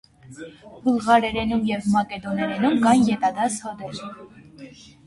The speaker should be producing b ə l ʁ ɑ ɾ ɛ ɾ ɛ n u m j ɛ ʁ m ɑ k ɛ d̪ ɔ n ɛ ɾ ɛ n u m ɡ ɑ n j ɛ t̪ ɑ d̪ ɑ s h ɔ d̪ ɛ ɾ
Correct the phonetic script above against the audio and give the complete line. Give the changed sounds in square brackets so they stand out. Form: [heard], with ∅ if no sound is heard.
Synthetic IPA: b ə l ʁ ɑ ɾ ɛ ɾ ɛ n u m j ɛ [v] m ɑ k ɛ d̪ ɔ n ɛ ɾ ɛ n u m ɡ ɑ n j ɛ t̪ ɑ d̪ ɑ s h ɔ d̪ ɛ ɾ